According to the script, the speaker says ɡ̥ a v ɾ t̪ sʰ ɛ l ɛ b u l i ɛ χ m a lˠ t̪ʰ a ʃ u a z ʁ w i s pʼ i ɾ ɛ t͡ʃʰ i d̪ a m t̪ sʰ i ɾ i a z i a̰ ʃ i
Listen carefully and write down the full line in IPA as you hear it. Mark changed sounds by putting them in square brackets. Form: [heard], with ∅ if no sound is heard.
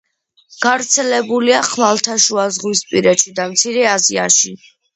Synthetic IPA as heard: ɡ̥ a v ɾ t̪ sʰ ɛ l ɛ b u l i [a] χ m a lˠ t̪ʰ a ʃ u a z ʁ w i s pʼ i ɾ ɛ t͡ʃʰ i d̪ a m t̪ sʰ i ɾ [ɛ] a z i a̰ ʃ i